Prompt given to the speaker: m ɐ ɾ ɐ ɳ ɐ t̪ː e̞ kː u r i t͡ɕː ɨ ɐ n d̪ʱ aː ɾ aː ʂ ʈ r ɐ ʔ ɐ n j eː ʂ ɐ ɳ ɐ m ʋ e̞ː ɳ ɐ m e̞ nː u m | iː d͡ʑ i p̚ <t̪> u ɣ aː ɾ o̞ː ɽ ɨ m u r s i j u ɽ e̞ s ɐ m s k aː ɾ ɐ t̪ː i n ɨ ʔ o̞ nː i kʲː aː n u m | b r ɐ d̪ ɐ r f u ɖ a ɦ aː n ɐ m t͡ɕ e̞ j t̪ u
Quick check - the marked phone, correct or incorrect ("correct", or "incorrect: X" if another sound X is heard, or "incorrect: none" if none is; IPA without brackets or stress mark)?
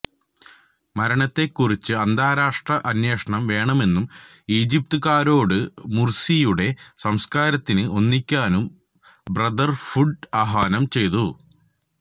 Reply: correct